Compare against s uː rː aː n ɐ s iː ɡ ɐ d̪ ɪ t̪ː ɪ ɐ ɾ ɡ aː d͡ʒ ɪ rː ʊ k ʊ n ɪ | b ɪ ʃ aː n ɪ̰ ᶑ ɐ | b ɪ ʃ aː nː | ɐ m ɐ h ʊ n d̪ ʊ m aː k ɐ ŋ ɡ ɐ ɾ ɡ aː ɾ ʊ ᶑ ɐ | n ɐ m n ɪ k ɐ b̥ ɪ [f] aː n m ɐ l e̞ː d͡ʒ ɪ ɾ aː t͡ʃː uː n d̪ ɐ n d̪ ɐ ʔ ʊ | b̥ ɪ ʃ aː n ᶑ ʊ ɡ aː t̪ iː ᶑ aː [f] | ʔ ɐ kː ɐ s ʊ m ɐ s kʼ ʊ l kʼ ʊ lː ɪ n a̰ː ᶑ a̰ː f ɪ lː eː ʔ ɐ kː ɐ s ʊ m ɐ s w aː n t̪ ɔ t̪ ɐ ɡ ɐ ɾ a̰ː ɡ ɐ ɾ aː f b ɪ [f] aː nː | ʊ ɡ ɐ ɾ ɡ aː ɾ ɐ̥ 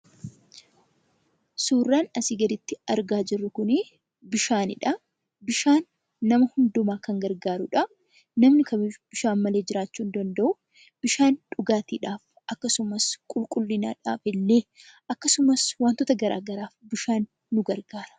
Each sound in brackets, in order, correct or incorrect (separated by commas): incorrect, correct, incorrect